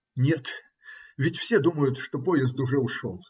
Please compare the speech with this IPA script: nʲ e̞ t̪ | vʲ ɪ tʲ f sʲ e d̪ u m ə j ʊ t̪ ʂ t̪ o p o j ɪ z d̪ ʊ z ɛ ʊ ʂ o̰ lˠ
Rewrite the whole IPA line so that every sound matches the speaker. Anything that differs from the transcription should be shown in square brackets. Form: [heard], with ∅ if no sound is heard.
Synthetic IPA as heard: nʲ e̞ t̪ | vʲ ɪ tʲ f sʲ e d̪ u m ə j ʊ t̪ ʂ t̪ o p o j ɪ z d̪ ʊ [ʐ] ɛ ʊ ʂ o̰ lˠ